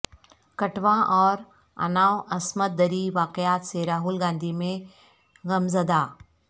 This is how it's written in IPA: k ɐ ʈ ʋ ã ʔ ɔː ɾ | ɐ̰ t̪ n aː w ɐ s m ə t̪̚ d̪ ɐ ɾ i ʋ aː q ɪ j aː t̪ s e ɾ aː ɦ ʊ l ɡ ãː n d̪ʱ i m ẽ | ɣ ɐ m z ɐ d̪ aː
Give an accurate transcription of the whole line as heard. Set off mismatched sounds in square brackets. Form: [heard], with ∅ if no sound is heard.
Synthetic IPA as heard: k ɐ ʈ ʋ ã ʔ ɔː ɾ | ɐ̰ [∅] n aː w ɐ s m ə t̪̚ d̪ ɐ ɾ i ʋ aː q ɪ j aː t̪ s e ɾ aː ɦ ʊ l ɡ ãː n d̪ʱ i m ẽ | ɣ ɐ m z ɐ d̪ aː